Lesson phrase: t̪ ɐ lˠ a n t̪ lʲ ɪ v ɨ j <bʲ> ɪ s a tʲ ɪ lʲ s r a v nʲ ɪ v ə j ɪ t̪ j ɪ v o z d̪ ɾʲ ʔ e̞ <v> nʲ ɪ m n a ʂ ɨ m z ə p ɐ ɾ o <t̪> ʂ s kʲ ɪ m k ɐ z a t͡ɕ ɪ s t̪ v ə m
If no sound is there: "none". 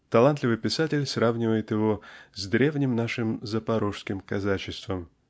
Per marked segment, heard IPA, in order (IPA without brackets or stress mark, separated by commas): pʲ, v, none